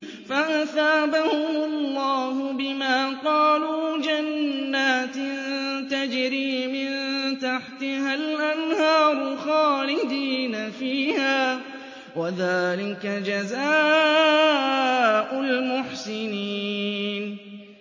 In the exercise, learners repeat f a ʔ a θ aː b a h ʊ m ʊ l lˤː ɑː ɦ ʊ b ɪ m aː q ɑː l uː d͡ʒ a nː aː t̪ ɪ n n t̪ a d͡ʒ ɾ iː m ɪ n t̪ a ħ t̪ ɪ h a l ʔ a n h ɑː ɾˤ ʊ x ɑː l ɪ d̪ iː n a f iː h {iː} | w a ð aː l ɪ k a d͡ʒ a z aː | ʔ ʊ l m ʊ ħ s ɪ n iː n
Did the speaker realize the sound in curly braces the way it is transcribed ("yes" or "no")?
no